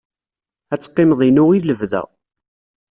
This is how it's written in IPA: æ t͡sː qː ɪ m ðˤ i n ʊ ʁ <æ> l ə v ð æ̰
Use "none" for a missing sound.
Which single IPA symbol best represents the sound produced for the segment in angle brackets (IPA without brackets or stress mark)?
i